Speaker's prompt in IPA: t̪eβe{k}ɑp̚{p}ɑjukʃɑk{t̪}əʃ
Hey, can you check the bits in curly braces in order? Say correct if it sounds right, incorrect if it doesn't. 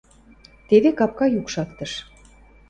correct, incorrect: k, correct

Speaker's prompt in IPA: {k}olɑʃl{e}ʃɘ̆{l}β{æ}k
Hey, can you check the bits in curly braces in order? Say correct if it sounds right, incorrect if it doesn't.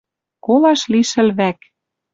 correct, incorrect: i, correct, correct

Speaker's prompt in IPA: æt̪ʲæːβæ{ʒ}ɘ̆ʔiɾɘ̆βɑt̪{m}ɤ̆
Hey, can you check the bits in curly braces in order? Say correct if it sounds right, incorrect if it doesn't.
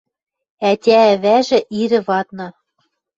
correct, incorrect: n

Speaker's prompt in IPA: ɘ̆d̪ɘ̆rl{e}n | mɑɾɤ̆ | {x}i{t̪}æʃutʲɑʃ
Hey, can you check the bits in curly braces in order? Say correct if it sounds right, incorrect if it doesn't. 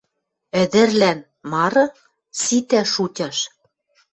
incorrect: æ, incorrect: s, correct

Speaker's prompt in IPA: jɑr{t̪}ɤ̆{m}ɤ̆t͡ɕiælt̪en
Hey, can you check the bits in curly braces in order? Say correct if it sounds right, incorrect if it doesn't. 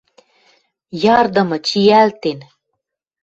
incorrect: d̪, correct

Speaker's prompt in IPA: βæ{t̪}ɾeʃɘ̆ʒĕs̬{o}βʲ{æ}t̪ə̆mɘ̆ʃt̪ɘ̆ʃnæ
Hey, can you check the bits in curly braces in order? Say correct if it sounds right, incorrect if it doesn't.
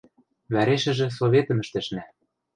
incorrect: none, correct, incorrect: e

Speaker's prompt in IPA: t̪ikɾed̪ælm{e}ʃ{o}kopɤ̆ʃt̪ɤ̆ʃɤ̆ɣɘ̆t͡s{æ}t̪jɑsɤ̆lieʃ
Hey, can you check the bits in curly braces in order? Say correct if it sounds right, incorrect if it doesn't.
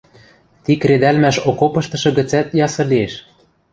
incorrect: æ, correct, correct

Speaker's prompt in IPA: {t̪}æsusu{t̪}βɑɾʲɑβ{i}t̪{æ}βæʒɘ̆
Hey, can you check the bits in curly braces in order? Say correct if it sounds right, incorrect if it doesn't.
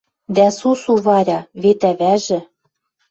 incorrect: d̪, incorrect: none, incorrect: e, correct

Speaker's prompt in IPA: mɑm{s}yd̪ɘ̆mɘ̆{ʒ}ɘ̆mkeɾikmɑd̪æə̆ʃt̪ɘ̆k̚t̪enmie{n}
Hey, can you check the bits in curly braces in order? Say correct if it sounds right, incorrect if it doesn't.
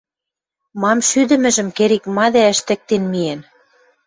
incorrect: ʃ, correct, correct

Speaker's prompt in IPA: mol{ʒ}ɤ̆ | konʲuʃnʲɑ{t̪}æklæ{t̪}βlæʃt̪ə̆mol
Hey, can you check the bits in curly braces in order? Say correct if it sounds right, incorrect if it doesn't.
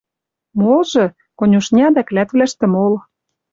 correct, incorrect: d̪, correct

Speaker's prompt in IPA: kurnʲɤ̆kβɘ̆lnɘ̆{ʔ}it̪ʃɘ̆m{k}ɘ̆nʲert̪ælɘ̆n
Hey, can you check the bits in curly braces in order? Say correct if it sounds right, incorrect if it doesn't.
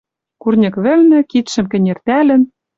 incorrect: k, correct

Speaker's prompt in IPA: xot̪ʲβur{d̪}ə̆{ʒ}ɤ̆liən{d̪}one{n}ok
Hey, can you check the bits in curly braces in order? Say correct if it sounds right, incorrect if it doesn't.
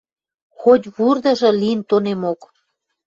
correct, correct, incorrect: t̪, incorrect: m

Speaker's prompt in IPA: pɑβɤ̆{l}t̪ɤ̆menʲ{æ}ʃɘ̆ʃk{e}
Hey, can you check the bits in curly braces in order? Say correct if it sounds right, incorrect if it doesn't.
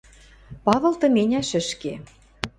correct, correct, correct

